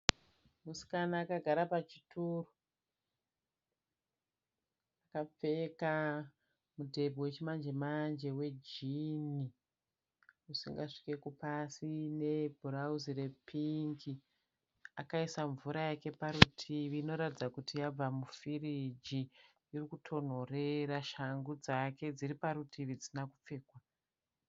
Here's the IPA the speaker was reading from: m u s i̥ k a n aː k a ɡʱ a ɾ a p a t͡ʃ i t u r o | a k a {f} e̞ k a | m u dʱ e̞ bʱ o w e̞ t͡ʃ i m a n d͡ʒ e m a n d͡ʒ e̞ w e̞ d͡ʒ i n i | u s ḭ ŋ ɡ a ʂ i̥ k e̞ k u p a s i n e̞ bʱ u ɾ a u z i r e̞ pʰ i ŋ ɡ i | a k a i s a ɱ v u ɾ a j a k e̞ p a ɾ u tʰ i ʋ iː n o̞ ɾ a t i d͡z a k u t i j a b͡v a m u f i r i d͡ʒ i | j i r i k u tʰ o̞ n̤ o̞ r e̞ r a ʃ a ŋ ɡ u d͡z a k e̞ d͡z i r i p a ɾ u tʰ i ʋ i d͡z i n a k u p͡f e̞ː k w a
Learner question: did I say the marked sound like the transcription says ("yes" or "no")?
no